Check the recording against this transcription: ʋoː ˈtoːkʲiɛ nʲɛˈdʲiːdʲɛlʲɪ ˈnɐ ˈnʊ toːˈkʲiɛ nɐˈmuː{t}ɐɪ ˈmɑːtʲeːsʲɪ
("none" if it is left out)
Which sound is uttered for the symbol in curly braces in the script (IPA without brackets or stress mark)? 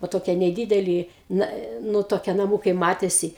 k